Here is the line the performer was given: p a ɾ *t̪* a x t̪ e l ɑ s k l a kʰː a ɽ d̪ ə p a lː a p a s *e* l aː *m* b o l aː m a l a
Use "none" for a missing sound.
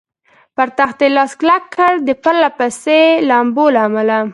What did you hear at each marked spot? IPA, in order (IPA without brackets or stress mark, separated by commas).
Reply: t̪, e, m